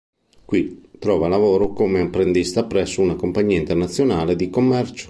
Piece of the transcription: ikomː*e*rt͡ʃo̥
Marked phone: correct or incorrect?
incorrect: ɛ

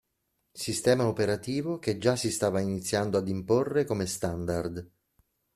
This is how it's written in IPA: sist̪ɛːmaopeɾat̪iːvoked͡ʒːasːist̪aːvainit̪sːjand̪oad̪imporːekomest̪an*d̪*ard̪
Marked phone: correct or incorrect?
correct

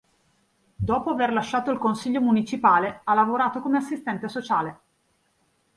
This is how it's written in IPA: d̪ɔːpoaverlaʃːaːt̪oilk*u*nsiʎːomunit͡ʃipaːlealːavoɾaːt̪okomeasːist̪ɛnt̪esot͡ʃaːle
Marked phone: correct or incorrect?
incorrect: o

